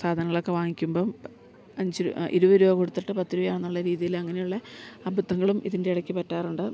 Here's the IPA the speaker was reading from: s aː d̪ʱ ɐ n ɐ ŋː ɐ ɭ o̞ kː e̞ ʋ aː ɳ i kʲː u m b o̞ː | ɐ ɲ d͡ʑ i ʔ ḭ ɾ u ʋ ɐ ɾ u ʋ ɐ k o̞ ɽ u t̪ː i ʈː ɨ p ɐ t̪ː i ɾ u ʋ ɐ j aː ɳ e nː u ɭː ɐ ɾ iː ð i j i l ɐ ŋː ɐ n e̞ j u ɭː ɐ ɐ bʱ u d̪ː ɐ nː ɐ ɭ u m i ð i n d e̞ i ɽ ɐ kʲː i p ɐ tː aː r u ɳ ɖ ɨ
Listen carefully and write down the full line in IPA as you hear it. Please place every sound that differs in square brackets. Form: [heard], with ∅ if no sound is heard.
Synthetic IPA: s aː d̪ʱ ɐ n ɐ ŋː ɐ ɭ o̞ kː e̞ ʋ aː [ŋ] i kʲː u m b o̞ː | ɐ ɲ d͡ʑ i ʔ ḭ ɾ u ʋ ɐ ɾ u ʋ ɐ k o̞ ɽ u t̪ː i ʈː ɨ p ɐ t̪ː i ɾ u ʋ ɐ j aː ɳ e nː u ɭː ɐ ɾ iː ð i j i l ɐ ŋː ɐ n e̞ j u ɭː ɐ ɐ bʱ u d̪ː ɐ [ŋː] ɐ ɭ u m i ð i n d e̞ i ɽ ɐ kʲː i p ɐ tː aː r u ɳ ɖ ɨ